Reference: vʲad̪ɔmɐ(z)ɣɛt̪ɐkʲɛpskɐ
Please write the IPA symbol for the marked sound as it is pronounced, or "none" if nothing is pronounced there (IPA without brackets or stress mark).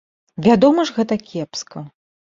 ʐ